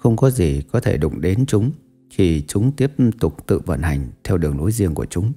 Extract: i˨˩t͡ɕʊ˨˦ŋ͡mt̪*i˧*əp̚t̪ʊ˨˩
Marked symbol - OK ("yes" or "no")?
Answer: no